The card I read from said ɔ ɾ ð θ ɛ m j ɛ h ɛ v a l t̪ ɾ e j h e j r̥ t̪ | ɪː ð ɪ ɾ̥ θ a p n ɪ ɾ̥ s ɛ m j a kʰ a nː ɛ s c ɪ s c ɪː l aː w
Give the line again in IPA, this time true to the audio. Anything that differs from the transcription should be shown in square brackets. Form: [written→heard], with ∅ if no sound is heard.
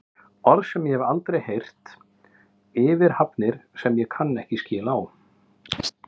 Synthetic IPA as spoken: ɔ ɾ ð [θ→s] ɛ m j ɛ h ɛ v a l t̪ ɾ e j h e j r̥ t̪ | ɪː [ð→v] ɪ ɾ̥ [θ→h] a p n ɪ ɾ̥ s ɛ m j [a→ɛ] kʰ a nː ɛ [s→h] c ɪ s c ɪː l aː w